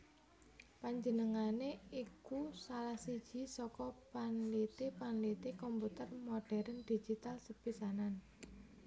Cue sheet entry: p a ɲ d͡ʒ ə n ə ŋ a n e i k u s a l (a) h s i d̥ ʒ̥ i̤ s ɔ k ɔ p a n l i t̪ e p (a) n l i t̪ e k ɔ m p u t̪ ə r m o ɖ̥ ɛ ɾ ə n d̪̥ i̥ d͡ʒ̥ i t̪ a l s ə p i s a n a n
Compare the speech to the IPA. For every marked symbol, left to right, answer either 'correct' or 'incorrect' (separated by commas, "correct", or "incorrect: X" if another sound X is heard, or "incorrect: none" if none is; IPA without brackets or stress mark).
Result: correct, correct